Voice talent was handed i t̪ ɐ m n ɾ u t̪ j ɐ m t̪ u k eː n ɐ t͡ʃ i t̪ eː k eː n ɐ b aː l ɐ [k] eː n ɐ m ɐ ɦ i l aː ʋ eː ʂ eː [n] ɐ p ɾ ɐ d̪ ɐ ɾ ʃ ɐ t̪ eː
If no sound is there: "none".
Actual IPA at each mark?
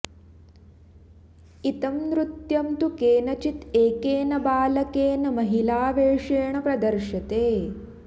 k, ɳ

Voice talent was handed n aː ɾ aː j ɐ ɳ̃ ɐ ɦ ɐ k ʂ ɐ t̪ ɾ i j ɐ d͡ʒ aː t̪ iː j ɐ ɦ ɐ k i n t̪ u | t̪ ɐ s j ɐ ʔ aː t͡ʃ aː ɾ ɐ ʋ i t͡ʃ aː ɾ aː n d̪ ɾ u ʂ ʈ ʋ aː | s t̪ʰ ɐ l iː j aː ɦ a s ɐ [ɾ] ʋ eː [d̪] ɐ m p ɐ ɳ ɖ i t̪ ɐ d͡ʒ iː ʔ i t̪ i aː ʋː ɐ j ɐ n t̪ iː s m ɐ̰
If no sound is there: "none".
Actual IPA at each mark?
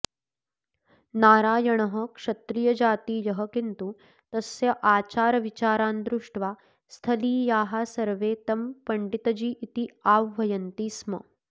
ɾ, t̪

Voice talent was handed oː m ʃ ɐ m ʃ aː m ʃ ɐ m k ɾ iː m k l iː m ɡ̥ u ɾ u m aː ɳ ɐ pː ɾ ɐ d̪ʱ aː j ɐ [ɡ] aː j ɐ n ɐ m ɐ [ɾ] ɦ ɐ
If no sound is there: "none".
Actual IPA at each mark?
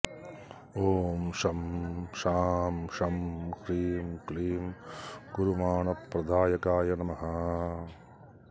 k, none

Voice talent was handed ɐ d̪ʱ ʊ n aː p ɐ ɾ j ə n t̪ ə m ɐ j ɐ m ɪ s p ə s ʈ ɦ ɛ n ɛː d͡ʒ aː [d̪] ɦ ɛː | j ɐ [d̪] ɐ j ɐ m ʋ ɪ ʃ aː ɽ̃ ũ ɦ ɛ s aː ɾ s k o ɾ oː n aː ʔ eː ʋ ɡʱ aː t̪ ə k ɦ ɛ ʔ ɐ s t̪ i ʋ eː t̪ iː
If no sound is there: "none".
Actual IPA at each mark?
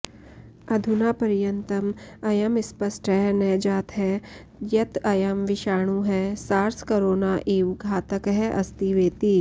t̪, t̪

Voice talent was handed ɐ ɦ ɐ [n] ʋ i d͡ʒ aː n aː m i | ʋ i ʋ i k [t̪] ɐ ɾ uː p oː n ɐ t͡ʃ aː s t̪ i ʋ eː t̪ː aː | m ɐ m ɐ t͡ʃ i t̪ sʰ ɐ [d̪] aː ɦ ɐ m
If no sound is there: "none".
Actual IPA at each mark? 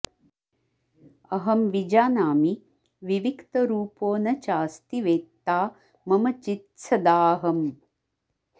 m, t̪, d̪

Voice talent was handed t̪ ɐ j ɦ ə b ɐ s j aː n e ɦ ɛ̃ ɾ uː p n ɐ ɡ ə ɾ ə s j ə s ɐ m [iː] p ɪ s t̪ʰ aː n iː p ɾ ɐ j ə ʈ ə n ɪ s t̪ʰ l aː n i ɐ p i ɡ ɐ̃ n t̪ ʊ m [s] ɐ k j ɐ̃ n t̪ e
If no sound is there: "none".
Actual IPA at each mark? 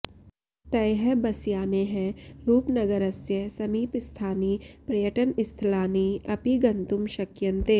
iː, ʃ

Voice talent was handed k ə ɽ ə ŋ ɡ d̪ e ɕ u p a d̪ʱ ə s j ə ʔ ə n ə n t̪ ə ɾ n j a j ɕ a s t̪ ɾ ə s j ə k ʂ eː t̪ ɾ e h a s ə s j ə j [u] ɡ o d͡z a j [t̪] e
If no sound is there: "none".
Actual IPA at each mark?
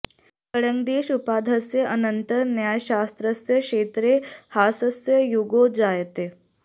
u, t̪

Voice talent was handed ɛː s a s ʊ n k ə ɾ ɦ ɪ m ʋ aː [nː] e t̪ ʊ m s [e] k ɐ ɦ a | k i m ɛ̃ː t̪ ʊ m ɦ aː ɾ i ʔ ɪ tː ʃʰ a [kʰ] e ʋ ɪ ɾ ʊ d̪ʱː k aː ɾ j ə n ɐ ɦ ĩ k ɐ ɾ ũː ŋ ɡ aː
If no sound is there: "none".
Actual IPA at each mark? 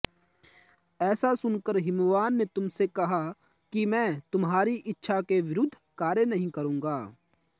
nː, e, k

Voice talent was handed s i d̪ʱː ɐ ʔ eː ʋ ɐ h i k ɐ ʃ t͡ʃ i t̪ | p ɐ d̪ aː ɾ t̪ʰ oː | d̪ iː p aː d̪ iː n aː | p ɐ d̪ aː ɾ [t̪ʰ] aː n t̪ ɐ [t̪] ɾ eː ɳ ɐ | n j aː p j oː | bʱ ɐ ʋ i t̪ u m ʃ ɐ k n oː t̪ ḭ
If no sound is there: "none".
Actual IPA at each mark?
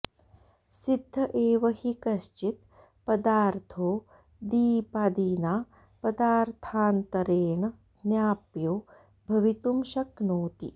t̪ʰ, none

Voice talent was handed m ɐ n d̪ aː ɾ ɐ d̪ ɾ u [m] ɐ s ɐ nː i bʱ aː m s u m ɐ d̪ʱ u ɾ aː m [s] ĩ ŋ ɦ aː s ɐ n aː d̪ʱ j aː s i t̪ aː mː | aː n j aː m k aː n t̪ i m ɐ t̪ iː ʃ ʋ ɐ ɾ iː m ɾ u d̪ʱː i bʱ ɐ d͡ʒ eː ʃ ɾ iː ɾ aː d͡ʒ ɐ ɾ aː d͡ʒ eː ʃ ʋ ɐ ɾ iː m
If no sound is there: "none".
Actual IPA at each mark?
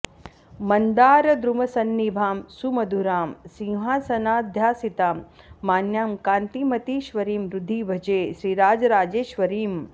m, s

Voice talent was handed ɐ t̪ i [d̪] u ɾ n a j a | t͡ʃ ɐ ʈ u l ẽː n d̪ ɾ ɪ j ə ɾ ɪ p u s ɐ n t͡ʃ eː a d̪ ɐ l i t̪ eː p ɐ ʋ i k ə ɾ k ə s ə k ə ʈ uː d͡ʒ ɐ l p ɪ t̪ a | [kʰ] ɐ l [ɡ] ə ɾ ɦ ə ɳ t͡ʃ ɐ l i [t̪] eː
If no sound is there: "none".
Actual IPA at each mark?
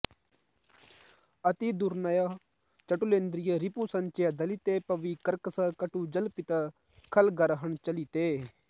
d̪, kʰ, ɡ, t̪

